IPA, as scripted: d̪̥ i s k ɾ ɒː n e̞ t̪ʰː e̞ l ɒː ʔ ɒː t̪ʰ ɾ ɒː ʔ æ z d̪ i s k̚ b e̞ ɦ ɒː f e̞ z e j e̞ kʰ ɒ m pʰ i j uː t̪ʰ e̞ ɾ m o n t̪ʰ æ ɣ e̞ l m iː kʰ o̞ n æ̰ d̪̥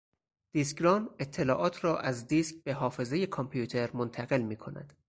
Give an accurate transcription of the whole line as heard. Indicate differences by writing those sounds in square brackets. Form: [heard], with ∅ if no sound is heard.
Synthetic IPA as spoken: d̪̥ i s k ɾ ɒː n e̞ t̪ʰː e̞ l ɒː ʔ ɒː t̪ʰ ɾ ɒː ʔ æ z d̪ i s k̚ b e̞ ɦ ɒː f e̞ z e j e̞ kʰ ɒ m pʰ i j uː t̪ʰ e̞ ɾ m o n t̪ʰ æ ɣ e̞ l m iː kʰ o̞ n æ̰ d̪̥